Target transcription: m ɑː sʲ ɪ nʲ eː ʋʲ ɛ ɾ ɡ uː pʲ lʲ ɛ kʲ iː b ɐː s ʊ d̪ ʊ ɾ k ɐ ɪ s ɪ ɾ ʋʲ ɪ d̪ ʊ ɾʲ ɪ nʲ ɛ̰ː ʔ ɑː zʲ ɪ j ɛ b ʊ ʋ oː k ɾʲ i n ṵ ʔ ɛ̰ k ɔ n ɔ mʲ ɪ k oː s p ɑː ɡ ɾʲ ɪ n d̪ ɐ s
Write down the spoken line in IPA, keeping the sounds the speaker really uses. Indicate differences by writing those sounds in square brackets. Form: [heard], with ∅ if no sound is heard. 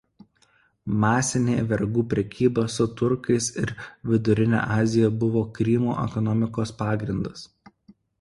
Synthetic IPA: m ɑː sʲ ɪ nʲ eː ʋʲ ɛ ɾ ɡ uː pʲ [ɾʲ] ɛ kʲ iː b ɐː s ʊ [t̪] ʊ ɾ k ɐ ɪ s ɪ ɾ ʋʲ ɪ d̪ ʊ ɾʲ ɪ nʲ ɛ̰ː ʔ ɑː zʲ ɪ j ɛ b ʊ ʋ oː k ɾʲ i [m] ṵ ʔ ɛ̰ k ɔ n ɔ mʲ ɪ k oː s p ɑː ɡ ɾʲ ɪ n d̪ ɐ s